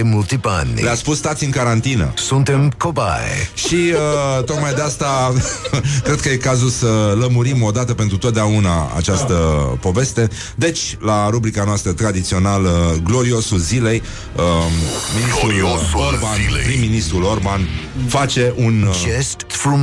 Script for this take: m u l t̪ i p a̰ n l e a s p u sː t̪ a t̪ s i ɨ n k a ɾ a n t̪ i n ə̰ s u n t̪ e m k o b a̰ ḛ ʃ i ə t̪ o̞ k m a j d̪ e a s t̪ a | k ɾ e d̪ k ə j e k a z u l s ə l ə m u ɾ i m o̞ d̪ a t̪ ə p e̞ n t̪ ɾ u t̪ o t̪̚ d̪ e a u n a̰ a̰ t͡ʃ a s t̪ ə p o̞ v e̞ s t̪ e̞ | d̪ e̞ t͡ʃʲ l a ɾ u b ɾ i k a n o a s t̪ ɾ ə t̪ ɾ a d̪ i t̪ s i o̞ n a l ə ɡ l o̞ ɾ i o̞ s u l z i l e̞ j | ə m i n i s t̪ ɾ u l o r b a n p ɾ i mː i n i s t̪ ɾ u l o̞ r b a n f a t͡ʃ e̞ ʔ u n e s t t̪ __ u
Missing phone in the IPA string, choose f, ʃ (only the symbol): f